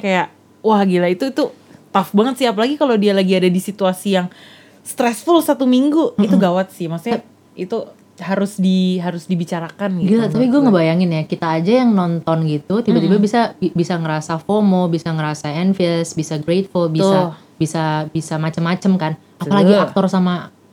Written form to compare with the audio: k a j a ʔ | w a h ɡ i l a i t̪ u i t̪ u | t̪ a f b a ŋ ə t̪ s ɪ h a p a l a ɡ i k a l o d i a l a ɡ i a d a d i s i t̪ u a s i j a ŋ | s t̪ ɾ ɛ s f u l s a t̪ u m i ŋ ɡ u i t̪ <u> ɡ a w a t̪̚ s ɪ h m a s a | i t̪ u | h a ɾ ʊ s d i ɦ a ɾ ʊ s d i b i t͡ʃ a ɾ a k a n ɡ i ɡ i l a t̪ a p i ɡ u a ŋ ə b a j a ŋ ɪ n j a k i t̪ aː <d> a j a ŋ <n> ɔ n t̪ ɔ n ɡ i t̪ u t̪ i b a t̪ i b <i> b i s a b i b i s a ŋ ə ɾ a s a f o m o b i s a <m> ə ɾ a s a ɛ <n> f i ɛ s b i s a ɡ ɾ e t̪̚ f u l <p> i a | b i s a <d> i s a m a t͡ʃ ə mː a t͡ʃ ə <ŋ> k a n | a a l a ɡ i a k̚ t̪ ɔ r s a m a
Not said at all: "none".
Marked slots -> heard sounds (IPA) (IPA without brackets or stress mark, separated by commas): u, d͡ʒ, n, a, ŋ, n, b, b, m